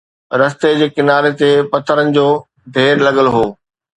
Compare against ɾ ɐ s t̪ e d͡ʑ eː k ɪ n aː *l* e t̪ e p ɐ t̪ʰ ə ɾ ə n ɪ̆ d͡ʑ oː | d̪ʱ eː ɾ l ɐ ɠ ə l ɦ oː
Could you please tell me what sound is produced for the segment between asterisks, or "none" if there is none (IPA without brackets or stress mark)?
ɾ